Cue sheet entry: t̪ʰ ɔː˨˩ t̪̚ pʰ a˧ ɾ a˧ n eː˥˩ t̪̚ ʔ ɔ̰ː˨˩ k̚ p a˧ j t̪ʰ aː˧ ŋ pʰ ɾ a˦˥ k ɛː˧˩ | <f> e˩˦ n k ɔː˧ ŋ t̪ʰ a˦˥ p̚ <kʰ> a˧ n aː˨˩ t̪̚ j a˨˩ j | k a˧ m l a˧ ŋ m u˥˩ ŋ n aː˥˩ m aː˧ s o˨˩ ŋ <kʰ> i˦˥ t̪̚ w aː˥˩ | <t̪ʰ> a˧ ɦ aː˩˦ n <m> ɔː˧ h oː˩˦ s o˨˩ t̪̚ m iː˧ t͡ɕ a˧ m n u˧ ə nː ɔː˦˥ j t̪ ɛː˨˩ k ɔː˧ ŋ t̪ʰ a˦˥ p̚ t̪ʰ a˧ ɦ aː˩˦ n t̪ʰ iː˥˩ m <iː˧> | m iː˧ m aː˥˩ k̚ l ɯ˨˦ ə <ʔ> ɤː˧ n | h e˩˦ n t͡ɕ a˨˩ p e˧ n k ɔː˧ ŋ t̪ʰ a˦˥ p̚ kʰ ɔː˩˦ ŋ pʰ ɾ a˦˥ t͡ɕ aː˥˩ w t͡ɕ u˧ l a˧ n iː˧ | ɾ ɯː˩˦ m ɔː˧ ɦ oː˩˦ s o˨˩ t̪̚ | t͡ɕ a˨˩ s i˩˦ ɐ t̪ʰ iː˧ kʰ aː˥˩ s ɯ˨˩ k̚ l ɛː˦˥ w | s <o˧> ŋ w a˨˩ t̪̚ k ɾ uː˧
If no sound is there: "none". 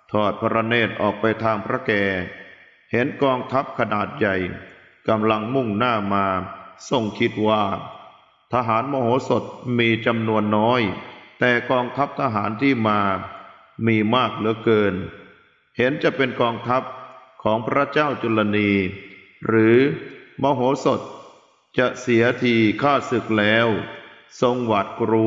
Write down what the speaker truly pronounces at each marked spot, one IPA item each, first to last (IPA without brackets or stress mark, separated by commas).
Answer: h, kʰ, kʰ, t̪ʰ, m, aː˧, k, o˧